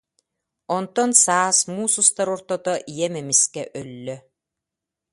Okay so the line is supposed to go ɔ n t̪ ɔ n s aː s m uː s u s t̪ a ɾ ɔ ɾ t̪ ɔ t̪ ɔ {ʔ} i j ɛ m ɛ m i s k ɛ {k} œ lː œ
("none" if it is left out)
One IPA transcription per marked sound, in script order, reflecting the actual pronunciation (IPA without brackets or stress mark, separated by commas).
ʔ, ʔ